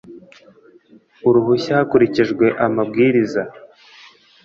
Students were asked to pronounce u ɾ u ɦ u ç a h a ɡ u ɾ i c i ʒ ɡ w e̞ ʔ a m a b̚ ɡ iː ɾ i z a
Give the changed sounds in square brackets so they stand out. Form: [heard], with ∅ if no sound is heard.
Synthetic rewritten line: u ɾ u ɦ u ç a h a [k] u ɾ i c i ʒ ɡ w e̞ ʔ a m a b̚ ɡ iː ɾ i z a